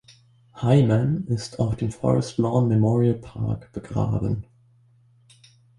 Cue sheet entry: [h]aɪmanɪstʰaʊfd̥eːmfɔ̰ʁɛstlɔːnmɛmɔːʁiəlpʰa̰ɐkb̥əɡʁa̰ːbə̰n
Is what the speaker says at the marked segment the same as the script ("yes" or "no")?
yes